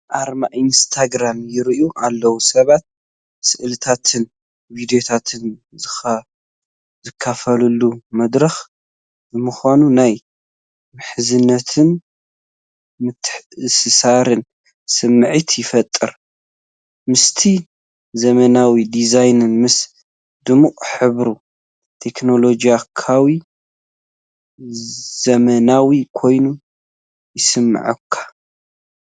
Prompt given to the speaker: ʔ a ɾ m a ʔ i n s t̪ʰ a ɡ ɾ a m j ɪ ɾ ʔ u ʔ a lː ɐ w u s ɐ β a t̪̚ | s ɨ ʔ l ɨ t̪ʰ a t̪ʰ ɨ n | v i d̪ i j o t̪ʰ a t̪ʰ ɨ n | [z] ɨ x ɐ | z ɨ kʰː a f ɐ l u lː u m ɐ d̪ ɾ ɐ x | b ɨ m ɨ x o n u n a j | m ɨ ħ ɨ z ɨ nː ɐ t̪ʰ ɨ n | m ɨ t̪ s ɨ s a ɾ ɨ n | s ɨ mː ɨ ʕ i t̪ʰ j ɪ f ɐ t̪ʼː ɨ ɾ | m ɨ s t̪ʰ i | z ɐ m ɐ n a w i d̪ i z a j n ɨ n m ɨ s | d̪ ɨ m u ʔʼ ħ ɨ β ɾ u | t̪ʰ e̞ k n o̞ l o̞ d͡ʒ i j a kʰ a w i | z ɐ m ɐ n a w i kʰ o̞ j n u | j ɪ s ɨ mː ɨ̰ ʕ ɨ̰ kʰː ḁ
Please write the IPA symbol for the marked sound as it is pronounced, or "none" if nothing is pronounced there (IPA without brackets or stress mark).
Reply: z